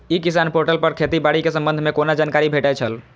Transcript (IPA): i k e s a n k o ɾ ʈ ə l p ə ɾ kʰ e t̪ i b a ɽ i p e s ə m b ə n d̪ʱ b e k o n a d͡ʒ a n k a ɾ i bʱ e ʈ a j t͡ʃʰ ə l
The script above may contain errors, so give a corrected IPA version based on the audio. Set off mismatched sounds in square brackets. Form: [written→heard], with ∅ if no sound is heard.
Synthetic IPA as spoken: i k [e→i] s a n [k→p] o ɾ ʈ ə l p ə ɾ kʰ e t̪ i b a ɽ i [p→k] e s ə m b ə n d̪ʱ [b→m] e k o n a d͡ʒ a n k a ɾ i bʱ e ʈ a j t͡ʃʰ ə l